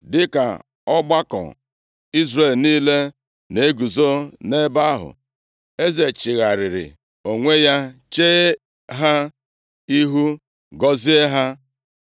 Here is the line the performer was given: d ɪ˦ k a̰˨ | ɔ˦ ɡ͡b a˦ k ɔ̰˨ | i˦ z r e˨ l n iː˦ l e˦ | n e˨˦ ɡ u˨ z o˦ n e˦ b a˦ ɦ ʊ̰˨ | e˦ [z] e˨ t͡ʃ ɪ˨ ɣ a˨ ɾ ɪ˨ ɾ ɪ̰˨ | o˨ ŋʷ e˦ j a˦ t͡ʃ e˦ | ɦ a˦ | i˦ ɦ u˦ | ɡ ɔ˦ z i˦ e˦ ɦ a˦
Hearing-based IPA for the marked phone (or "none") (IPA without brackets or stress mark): z